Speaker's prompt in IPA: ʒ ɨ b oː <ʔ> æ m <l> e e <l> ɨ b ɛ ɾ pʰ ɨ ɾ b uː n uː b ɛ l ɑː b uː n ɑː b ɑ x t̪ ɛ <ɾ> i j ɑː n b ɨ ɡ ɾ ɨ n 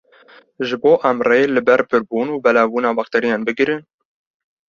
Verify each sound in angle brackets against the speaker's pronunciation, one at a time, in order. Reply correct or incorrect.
correct, incorrect: r, correct, correct

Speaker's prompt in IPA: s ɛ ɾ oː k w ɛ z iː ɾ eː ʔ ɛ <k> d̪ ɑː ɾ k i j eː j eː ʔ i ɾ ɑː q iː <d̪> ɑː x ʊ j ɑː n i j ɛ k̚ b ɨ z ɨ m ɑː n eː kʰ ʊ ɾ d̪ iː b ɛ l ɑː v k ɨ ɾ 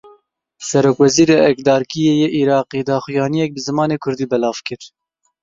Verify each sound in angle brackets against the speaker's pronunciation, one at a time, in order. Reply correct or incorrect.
correct, correct

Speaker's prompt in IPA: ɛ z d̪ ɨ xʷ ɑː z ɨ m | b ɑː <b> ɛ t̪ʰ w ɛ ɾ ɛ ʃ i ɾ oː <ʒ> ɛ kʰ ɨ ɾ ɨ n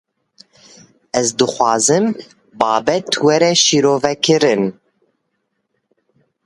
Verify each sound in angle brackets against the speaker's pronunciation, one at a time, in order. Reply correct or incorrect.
correct, incorrect: v

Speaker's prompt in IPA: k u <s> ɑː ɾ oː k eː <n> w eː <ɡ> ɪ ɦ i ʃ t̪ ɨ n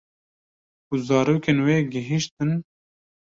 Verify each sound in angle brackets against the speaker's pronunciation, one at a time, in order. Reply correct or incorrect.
incorrect: z, correct, correct

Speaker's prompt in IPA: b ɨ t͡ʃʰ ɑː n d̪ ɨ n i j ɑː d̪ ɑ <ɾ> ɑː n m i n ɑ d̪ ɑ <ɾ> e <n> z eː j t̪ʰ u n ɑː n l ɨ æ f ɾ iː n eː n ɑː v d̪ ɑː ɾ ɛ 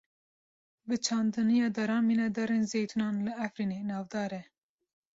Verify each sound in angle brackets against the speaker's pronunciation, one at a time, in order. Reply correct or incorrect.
correct, correct, correct

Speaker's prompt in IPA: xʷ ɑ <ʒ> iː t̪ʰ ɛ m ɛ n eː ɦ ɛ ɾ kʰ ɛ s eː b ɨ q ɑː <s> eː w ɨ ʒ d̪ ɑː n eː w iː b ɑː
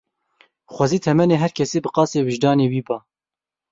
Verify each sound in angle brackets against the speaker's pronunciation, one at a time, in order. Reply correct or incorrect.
incorrect: z, correct

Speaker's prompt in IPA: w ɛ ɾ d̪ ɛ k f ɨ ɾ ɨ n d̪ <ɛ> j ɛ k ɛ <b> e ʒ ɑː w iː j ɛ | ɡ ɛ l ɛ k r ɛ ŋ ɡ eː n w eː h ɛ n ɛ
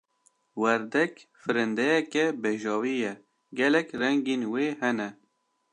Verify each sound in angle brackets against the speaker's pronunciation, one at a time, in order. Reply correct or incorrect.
correct, correct

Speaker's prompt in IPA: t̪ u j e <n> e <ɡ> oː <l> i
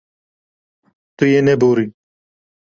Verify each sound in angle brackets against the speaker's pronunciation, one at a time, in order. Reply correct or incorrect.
correct, incorrect: b, incorrect: ɾ

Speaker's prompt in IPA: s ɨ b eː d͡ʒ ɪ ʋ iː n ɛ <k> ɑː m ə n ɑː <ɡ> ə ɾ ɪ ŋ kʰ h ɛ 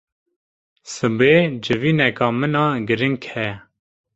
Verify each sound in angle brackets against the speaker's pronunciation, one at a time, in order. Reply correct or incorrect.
correct, correct

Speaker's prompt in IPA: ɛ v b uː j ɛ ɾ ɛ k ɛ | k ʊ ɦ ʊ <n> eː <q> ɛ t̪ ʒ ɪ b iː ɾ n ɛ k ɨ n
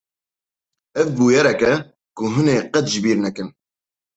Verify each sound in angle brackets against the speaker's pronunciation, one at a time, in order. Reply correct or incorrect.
correct, correct

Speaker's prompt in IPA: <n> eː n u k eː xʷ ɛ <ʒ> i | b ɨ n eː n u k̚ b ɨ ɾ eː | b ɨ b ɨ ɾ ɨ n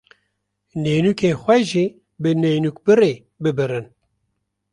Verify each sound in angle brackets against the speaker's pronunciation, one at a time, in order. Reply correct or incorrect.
correct, correct

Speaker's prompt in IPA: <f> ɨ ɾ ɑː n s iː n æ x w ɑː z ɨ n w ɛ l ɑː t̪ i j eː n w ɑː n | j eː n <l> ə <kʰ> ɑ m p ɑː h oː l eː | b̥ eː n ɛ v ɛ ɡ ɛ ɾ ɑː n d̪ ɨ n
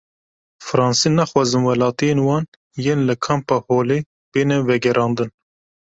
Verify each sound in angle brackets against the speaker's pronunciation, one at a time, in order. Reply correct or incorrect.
correct, correct, correct

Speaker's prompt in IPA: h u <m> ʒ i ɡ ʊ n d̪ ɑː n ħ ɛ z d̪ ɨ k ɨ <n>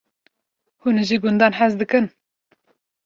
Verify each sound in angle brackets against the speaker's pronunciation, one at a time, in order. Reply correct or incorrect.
incorrect: n, correct

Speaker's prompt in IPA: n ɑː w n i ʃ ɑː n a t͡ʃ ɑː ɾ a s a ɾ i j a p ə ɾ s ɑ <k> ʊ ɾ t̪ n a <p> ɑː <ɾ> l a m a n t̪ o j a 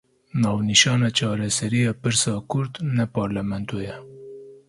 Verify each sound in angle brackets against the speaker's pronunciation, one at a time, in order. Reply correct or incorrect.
correct, correct, correct

